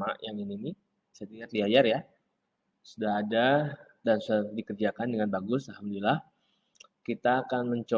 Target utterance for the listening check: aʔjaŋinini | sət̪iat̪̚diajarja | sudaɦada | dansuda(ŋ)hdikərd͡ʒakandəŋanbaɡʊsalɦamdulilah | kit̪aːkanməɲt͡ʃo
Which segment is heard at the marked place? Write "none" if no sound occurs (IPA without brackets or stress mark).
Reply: none